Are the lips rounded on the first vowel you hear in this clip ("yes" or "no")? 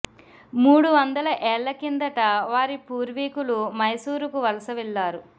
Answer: yes